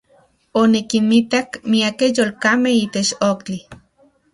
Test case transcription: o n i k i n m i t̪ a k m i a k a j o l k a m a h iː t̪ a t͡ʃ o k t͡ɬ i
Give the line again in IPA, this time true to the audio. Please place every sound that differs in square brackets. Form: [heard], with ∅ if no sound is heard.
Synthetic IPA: o n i k i n m i t̪ a k m i a k [e] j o l k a m [e] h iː t̪ [e] t͡ʃ o k t͡ɬ i